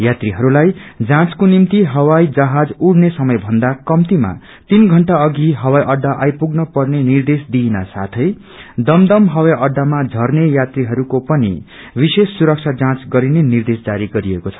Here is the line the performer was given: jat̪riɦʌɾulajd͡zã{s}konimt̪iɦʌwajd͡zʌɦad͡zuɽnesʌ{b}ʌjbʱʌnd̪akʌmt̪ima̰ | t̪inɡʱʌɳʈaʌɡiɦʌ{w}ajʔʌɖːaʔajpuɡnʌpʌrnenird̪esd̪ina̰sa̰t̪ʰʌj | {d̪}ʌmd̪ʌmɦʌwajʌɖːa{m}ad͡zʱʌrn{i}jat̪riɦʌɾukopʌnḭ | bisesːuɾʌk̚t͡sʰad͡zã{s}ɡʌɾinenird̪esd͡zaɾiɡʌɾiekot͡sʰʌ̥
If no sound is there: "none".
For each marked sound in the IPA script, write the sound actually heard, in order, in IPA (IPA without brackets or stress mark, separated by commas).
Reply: t͡s, m, w, d̪, m, e, t͡s